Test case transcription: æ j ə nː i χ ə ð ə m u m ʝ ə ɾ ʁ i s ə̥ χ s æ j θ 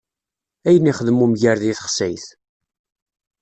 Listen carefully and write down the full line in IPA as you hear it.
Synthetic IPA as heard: æ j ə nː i χ ə ð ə m u m ʝ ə ɾ ð i θ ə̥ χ s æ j θ